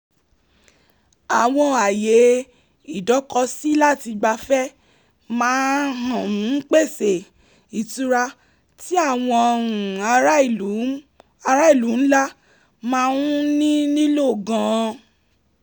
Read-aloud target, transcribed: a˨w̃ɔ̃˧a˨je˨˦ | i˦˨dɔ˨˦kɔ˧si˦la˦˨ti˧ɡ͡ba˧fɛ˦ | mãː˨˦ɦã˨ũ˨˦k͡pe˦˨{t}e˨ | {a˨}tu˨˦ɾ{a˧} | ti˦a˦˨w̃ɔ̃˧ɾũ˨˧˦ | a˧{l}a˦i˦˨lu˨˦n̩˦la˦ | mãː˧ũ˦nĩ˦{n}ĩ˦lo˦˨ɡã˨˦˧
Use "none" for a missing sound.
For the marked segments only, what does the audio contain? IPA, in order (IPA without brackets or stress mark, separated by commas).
s, i˨, a˧, ɾ, n